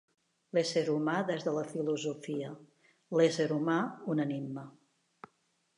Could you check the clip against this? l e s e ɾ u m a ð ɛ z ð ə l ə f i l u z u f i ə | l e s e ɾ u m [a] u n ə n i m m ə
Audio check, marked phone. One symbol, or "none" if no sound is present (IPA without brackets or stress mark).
a